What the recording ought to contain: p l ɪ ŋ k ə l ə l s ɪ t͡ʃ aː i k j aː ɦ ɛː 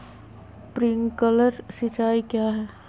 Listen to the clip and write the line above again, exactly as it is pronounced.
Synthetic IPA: p ɾ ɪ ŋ k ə l ə ɾ s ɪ t͡ʃ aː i k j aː ɦ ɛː